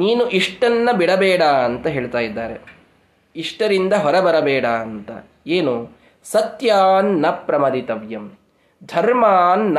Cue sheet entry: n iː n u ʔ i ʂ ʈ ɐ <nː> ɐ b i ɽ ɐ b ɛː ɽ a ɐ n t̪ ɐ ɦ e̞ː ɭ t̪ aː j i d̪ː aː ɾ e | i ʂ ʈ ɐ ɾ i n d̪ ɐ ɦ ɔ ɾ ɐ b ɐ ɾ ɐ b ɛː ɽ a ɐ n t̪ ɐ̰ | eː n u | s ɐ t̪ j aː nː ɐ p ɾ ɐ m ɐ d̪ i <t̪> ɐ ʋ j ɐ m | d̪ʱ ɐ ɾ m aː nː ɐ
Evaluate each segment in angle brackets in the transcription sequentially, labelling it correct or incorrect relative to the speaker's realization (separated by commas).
correct, correct